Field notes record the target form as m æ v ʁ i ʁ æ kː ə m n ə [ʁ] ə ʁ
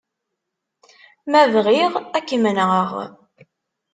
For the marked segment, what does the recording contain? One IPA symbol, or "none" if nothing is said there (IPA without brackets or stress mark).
ʁ